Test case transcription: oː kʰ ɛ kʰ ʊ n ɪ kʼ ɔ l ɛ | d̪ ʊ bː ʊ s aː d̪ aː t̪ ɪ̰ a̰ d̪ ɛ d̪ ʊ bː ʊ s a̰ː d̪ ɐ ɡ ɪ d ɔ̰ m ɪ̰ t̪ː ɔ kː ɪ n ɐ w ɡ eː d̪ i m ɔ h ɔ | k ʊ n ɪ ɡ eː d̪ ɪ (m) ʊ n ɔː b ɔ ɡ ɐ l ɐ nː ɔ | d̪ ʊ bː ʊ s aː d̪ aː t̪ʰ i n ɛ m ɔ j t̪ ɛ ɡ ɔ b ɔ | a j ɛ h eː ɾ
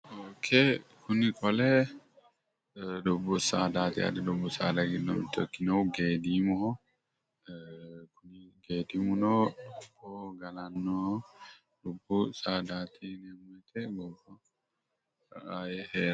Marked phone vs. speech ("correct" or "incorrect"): correct